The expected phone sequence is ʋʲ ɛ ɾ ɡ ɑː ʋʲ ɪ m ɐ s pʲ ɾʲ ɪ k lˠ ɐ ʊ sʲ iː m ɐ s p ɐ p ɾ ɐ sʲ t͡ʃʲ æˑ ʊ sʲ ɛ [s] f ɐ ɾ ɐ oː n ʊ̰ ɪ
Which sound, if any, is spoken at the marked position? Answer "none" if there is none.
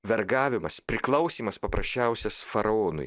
s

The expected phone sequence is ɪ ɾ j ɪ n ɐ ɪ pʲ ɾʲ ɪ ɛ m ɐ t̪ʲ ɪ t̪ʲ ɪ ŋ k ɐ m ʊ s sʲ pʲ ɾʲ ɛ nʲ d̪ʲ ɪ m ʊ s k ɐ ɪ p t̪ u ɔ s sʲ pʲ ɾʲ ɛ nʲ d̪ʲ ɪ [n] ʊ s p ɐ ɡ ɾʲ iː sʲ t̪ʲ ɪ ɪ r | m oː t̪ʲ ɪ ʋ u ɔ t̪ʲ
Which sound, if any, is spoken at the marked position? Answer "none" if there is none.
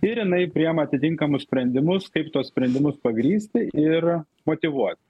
m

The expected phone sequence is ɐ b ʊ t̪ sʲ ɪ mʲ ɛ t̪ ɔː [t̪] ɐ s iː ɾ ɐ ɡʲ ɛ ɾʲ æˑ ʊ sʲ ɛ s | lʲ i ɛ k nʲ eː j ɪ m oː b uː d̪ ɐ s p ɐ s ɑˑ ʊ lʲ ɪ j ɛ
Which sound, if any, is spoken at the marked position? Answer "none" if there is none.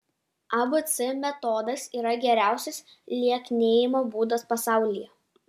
d̪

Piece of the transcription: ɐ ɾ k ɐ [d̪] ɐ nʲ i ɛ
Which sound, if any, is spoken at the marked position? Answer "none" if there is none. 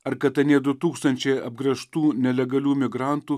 t̪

